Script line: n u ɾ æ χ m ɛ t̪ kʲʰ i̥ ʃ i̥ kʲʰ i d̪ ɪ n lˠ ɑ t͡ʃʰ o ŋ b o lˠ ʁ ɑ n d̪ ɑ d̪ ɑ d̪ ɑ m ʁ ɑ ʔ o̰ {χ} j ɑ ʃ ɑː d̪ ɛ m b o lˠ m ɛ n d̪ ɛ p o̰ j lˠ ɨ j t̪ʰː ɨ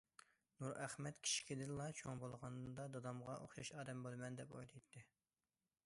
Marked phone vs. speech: correct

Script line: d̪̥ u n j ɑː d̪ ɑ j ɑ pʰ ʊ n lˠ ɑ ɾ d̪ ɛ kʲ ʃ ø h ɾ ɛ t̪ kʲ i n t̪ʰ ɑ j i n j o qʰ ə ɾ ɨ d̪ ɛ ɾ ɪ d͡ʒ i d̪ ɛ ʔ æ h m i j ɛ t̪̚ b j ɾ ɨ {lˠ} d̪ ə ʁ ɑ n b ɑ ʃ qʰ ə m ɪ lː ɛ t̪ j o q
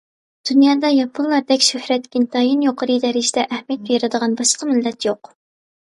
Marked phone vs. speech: incorrect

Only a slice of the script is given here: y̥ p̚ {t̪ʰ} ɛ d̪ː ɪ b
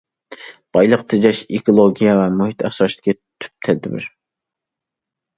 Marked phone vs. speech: correct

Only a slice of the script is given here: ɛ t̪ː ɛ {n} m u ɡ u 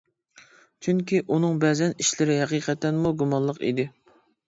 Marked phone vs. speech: correct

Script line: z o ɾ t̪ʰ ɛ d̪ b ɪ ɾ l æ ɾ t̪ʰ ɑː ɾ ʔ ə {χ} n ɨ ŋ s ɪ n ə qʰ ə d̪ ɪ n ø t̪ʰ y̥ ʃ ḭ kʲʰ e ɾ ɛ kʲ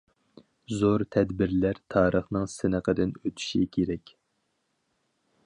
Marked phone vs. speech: correct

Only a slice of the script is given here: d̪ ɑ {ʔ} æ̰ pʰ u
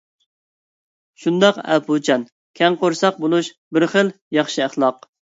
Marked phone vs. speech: incorrect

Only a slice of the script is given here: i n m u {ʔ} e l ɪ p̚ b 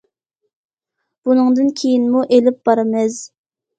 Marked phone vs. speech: correct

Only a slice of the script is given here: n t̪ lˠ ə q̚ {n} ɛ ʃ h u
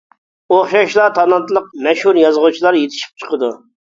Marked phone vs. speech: incorrect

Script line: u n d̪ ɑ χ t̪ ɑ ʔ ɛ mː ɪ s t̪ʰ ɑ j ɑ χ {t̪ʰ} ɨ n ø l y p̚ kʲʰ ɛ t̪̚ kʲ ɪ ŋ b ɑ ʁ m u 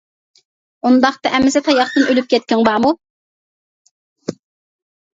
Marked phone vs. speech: incorrect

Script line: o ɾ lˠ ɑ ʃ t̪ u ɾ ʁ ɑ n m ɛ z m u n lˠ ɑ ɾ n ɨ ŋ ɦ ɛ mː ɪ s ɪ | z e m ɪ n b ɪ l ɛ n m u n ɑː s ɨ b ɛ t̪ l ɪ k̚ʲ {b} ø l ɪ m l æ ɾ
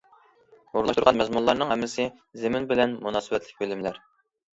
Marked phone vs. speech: correct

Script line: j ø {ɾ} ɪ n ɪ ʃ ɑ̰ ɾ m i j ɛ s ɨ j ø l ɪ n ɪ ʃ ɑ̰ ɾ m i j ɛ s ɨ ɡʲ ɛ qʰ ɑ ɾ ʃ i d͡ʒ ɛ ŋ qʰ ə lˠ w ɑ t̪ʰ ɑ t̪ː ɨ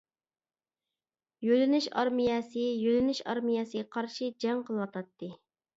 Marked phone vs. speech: incorrect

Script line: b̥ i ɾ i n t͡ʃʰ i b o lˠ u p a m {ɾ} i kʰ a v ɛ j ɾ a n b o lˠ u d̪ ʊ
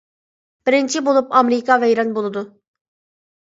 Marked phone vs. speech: correct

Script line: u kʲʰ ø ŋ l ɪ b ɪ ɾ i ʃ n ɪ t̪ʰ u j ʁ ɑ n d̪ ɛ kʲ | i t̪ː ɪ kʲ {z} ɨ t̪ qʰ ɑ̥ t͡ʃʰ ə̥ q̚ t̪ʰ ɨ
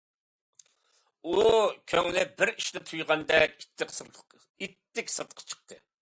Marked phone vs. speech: incorrect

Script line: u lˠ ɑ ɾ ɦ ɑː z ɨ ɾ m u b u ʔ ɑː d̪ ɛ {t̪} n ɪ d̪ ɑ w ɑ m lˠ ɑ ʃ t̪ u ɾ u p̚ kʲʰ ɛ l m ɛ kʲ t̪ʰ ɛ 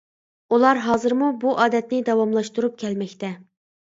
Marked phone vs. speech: correct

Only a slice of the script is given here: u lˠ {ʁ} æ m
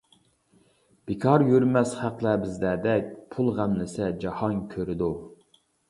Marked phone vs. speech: correct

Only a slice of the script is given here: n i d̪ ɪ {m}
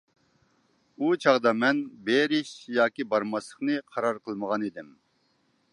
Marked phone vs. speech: correct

